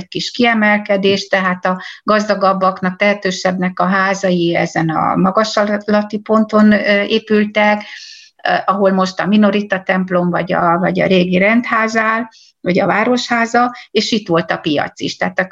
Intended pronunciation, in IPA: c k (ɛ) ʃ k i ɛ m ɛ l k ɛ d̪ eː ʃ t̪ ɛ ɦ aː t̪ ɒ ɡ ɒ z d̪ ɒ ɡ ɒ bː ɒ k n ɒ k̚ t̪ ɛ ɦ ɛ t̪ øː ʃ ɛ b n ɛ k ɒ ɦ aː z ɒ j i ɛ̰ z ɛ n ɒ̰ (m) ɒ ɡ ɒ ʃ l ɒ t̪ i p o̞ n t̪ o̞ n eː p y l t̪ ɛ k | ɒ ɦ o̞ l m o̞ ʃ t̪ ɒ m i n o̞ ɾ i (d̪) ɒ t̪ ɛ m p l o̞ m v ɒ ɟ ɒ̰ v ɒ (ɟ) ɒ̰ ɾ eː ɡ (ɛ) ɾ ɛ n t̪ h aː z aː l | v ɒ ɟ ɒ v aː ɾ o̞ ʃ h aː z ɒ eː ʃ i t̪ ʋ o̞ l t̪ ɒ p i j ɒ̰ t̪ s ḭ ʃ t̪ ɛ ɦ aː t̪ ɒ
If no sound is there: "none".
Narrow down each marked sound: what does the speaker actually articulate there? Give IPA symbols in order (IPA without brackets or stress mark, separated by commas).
i, m, t̪, ɟ, i